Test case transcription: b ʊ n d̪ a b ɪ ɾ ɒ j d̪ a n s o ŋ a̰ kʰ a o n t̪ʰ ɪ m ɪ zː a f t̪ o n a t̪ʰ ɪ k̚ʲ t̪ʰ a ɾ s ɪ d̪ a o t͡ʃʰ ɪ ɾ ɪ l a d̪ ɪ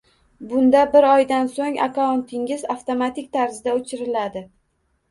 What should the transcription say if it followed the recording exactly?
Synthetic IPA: b ʊ n d̪ a b ɪ ɾ ɒ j d̪ a n s o ŋ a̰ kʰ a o n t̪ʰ ɪ ŋ ɪ z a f t̪ o m a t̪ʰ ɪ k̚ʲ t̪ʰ a ɾ z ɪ d̪ a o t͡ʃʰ ɪ ɾ ɪ l a d̪ ɪ